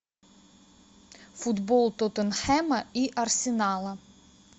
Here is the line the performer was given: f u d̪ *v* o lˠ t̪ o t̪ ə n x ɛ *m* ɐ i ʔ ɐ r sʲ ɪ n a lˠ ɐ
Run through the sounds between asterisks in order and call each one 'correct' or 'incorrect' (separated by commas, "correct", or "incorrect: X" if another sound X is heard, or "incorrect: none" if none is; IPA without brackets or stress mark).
incorrect: b, correct